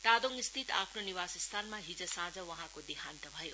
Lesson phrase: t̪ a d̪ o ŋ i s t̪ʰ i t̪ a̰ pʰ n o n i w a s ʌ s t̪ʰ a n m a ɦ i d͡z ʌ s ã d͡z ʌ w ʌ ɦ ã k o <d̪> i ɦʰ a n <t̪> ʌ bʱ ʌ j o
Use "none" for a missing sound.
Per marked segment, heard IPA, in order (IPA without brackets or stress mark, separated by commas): d̪, t̪